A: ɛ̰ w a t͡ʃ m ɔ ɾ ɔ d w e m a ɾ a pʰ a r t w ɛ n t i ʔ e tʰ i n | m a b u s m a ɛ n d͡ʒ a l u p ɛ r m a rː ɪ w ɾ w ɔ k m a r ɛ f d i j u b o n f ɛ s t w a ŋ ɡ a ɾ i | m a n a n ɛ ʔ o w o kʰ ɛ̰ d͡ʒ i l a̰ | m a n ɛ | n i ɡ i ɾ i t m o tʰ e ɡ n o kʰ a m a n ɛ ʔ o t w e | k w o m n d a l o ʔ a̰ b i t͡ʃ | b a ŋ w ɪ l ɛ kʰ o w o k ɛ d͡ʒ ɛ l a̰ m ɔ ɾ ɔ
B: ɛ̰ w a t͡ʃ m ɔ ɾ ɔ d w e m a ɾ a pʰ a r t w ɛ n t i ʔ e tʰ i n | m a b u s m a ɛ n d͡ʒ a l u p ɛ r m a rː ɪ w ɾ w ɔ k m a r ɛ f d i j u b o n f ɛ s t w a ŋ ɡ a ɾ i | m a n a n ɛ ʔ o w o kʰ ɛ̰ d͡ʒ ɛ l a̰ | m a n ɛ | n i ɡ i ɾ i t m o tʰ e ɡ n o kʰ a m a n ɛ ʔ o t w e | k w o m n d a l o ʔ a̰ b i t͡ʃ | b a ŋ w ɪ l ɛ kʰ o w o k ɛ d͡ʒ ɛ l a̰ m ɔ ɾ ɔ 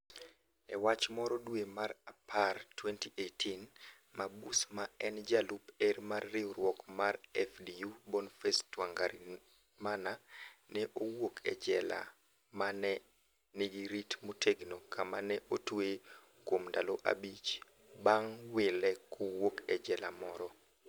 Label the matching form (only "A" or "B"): B